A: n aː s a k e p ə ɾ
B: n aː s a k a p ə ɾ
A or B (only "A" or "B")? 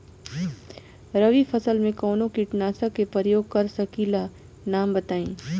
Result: A